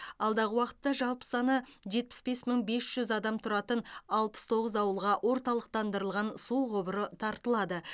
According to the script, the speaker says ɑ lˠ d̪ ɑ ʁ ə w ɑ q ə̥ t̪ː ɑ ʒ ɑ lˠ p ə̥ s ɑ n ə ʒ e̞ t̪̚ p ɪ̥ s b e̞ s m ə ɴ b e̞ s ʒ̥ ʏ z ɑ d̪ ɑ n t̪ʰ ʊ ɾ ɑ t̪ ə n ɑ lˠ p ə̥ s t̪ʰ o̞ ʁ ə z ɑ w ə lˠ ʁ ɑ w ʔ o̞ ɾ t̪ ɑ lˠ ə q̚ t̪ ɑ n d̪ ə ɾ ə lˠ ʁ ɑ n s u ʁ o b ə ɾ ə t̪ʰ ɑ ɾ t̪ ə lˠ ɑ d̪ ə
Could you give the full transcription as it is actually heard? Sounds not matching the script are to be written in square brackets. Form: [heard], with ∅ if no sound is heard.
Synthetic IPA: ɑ lˠ d̪ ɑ ʁ ə w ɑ q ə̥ t̪ː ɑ ʒ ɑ lˠ p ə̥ s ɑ n ə ʒ e̞ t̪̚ p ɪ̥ s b e̞ s m ə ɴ b e̞ s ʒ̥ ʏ z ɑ d̪ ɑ [m] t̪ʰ ʊ ɾ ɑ t̪ ə n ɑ lˠ p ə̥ s t̪ʰ o̞ ʁ ə z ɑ w ə lˠ ʁ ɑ w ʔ o̞ ɾ t̪ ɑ lˠ ə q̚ t̪ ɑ n d̪ ə ɾ ə lˠ ʁ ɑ n s u ʁ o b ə ɾ ə t̪ʰ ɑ ɾ t̪ ə lˠ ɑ d̪ ə